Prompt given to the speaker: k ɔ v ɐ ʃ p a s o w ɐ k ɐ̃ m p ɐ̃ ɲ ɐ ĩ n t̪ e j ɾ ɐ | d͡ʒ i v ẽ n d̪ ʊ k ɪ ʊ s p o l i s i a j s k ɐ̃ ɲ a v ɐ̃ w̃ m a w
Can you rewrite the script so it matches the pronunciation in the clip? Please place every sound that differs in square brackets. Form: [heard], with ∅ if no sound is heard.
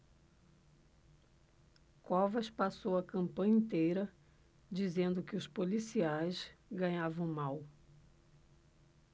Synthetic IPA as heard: k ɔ v ɐ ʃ p a s o w ɐ k ɐ̃ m p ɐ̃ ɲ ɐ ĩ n t̪ e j ɾ ɐ | d͡ʒ i [z] ẽ n d̪ ʊ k ɪ ʊ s p o l i s i a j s [ɡ] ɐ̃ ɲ a v ɐ̃ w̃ m a w